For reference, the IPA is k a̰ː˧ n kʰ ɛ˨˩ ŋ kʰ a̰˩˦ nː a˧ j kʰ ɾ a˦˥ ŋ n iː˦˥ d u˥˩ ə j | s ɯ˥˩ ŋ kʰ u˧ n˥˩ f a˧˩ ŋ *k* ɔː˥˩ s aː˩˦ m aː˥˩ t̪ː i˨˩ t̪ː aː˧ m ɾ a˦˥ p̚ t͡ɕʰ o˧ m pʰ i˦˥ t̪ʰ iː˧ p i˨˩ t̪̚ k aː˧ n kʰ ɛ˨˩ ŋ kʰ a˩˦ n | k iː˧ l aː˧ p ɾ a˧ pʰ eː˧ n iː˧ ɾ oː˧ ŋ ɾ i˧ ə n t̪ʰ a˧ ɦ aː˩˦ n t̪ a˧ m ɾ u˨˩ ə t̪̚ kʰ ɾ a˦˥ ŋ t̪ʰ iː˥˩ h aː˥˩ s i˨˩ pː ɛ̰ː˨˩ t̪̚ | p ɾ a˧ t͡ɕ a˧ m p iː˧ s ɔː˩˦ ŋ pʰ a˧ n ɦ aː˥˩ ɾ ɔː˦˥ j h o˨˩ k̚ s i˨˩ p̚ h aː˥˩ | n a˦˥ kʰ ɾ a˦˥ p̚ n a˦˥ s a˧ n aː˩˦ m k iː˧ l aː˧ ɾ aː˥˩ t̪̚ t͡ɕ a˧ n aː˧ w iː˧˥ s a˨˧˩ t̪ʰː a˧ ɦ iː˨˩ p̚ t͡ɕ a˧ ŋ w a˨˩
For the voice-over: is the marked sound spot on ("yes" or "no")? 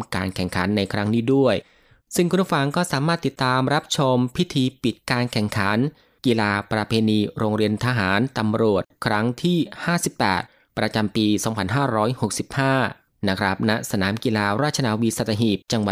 yes